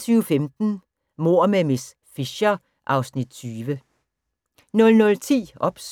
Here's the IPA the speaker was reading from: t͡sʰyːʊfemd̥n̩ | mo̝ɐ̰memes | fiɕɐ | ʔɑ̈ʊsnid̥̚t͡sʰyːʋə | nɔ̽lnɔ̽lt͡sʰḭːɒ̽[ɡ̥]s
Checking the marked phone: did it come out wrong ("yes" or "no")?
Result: yes